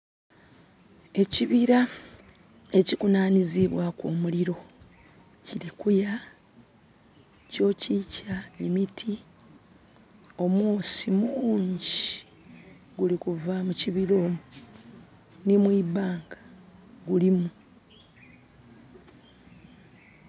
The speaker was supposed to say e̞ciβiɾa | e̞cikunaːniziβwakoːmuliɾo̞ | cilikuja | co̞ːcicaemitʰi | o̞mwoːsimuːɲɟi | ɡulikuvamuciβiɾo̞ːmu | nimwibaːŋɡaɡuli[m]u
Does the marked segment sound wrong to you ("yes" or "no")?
no